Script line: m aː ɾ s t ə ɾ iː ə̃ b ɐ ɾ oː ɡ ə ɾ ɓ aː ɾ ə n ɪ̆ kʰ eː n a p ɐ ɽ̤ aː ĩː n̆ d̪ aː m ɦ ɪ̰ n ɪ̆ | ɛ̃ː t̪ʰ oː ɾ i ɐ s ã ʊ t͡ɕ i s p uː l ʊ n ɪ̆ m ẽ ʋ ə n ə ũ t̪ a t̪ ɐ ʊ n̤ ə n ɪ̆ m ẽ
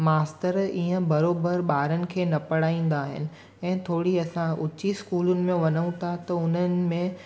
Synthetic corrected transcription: m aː s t ə ɾ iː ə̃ b ɐ ɾ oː b ə ɾ ɓ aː ɾ ə n ɪ̆ kʰ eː n ɐ p ɐ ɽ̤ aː ĩː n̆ d̪ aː ɦ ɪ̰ n ɪ̆ | ɛ̃ː t̪ʰ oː ɽ i ɐ s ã ʊ t͡ɕ i s k uː l ʊ n ɪ̆ m ẽ ʋ ɐ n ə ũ t̪ʰ a t̪ ɐ ʊ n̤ ə n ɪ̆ m ẽ